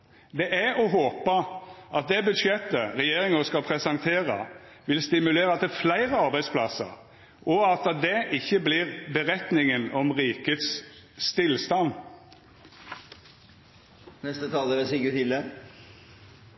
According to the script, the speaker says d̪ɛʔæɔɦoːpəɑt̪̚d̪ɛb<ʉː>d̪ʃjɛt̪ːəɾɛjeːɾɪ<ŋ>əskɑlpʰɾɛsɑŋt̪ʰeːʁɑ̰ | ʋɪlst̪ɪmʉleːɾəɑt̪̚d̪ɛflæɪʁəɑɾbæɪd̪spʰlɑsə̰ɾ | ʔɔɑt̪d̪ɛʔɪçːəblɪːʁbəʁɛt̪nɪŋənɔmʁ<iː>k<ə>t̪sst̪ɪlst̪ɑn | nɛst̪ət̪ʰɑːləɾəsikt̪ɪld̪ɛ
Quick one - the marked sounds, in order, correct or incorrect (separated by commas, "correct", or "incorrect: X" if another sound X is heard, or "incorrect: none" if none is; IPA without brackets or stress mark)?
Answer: incorrect: ʉ, correct, correct, correct